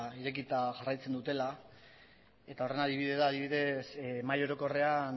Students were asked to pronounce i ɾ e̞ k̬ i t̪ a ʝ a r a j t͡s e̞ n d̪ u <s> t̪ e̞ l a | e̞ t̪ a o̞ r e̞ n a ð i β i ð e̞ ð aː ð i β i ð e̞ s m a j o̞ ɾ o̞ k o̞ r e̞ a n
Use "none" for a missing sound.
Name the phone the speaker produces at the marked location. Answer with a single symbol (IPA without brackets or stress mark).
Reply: none